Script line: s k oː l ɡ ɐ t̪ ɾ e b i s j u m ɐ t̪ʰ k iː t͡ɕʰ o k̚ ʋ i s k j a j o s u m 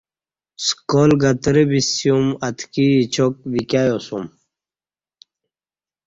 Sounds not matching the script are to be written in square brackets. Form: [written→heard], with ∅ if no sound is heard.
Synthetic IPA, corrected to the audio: s k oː l ɡ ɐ t̪ ɾ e b i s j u m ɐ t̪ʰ k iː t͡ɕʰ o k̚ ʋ i [s→∅] k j a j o s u m